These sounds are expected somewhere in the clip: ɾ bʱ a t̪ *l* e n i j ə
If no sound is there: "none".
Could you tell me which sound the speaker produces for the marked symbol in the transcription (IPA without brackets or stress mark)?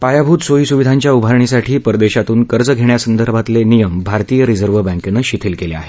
l